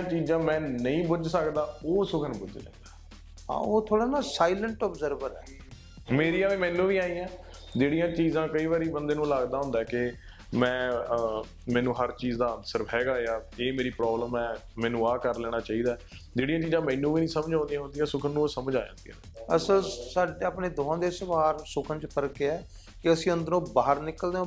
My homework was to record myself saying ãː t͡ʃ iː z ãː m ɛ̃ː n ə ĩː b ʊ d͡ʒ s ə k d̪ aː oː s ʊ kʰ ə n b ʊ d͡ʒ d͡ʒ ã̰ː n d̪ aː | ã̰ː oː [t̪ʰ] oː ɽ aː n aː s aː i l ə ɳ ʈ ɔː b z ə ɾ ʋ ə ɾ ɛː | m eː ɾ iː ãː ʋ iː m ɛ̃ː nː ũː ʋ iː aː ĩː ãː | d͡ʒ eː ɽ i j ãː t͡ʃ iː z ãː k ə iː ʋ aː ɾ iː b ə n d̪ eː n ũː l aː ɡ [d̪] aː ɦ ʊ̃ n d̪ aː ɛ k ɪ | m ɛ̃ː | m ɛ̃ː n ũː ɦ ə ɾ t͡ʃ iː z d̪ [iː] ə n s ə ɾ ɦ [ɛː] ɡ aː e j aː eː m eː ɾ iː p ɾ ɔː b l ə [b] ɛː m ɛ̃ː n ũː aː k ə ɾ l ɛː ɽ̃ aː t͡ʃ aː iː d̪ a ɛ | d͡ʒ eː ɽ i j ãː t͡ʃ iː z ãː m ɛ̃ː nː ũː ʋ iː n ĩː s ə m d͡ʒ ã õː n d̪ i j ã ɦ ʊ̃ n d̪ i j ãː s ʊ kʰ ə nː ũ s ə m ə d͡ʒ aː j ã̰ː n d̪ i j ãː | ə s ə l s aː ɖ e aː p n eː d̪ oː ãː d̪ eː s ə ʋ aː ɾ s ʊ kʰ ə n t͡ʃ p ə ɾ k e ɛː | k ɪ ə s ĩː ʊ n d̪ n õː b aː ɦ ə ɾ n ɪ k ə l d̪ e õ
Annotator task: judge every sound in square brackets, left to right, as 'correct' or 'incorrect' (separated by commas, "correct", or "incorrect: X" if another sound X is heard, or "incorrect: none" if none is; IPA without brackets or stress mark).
correct, correct, incorrect: aː, correct, incorrect: m